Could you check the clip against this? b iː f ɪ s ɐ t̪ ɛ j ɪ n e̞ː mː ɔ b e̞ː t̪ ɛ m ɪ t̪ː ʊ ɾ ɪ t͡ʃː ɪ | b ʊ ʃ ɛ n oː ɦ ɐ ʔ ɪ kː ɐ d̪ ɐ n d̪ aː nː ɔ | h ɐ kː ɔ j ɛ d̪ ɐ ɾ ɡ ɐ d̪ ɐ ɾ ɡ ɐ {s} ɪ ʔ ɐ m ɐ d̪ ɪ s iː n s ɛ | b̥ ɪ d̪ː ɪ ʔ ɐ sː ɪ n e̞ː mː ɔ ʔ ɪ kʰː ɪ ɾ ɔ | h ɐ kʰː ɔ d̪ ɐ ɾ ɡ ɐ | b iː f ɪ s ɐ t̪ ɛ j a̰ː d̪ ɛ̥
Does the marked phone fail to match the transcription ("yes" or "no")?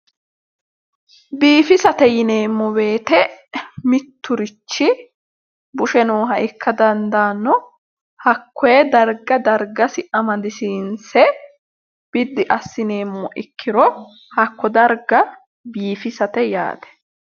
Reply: no